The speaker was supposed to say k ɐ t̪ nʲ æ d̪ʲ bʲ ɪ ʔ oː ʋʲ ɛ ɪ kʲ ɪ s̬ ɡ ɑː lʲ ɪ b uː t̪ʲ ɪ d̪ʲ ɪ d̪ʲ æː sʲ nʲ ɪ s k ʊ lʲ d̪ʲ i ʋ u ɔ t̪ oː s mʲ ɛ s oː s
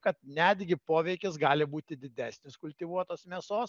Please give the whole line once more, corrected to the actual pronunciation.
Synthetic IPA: k ɐ t̪ nʲ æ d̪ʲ ɡʲ ɪ p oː ʋʲ ɛ ɪ kʲ ɪ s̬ ɡ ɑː lʲ ɪ b uː t̪ʲ ɪ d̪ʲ ɪ d̪ʲ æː sʲ nʲ ɪ s k ʊ lʲ t̪ʲ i ʋ u ɔ t̪ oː s mʲ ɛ s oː s